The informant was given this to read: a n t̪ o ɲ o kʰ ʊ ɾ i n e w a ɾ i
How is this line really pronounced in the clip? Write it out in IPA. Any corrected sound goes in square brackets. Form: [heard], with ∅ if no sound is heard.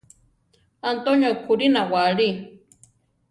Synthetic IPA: a n t̪ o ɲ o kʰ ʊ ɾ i n [a] w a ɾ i

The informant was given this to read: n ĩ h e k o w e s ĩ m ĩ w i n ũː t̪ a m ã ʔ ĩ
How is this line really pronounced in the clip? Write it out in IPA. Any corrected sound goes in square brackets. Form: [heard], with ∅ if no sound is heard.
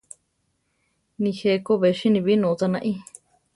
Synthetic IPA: n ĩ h e k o [β] e [ʃ] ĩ [n] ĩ [β] i n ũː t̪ a [n] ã ʔ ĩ

